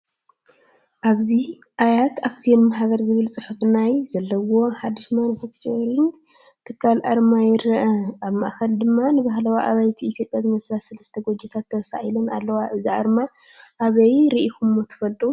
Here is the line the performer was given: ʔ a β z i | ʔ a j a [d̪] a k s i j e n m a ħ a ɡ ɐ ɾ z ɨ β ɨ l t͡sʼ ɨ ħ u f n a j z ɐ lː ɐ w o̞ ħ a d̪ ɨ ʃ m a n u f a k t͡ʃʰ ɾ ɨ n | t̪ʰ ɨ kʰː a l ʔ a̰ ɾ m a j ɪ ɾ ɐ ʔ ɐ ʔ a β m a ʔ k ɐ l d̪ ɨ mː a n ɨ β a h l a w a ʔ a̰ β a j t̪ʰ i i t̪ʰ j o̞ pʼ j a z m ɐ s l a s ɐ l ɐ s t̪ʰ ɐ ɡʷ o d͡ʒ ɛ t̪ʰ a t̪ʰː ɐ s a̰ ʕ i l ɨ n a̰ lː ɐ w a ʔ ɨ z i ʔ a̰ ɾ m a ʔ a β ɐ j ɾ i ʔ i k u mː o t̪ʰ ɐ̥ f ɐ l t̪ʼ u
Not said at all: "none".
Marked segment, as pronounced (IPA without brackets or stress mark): t̪